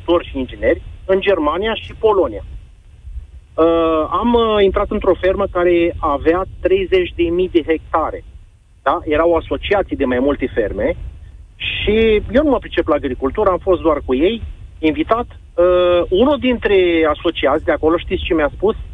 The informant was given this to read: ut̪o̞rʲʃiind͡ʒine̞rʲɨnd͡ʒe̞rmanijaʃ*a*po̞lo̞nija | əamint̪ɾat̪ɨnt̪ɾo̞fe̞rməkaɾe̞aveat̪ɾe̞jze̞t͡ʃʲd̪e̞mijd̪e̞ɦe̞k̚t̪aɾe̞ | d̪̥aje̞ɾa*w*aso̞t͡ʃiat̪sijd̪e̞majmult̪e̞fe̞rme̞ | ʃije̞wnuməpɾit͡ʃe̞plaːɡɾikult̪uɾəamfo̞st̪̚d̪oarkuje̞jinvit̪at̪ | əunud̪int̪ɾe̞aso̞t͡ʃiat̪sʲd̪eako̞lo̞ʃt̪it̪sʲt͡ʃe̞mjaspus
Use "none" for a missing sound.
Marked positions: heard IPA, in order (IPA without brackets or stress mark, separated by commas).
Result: i, w